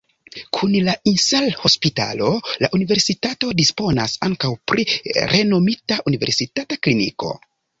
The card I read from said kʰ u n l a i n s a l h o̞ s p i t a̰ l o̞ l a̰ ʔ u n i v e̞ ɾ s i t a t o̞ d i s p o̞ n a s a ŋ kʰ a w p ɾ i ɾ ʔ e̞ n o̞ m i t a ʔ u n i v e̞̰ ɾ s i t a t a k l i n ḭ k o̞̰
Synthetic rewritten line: kʰ u n l a i n s a l h o̞ s p i t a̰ l o̞ l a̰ ʔ u n i v e̞ ɾ s i t a t o̞ d i s p o̞ n a s a ŋ k a w p ɾ i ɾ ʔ e̞ n o̞ m i t a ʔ u n i v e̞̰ ɾ s i t a t a k l i n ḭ k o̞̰